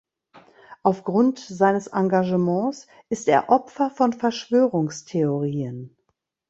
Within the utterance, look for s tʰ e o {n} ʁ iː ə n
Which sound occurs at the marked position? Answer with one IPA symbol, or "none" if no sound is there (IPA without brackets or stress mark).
none